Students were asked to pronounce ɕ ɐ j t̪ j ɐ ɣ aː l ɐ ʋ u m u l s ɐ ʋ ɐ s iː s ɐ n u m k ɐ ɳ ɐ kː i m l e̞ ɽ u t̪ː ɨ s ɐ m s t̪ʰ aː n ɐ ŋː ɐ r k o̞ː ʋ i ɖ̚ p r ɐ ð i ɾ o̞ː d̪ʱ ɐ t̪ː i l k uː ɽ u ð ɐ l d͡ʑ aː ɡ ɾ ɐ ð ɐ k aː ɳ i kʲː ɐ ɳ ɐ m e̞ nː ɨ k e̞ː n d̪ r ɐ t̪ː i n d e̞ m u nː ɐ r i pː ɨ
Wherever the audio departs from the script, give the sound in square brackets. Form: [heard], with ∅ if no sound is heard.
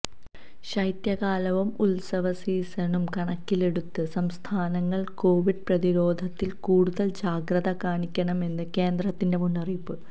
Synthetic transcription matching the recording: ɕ ɐ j t̪ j ɐ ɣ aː l ɐ ʋ u m u l s ɐ ʋ ɐ s iː s ɐ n u m k ɐ ɳ ɐ kː i [∅] l e̞ ɽ u t̪ː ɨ s ɐ m s t̪ʰ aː n ɐ ŋː ɐ [ɭ] k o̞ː ʋ i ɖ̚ p r ɐ ð i ɾ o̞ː d̪ʱ ɐ t̪ː i l k uː ɽ u ð ɐ l d͡ʑ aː ɡ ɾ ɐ ð ɐ k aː ɳ i kʲː ɐ ɳ ɐ m e̞ nː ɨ k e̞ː n d̪ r ɐ t̪ː i n d e̞ m u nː ɐ r i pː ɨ